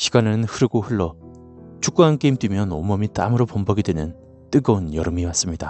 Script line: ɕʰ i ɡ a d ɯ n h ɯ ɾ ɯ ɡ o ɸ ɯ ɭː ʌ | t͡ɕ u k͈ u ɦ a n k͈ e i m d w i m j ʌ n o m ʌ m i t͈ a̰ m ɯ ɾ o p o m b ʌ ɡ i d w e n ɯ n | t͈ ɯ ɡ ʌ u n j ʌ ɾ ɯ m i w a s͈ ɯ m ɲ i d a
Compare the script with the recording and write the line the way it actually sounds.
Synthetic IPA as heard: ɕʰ i ɡ a n ɯ n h ɯ ɾ ɯ ɡ o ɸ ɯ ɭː ʌ | t͡ɕ u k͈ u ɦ a n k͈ e i m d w i m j ʌ n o m ʌ m i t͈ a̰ m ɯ ɾ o p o m b ʌ ɡ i d w e n ɯ n | t͈ ɯ ɡ ʌ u n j ʌ ɾ ɯ m i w a s͈ ɯ m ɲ i d a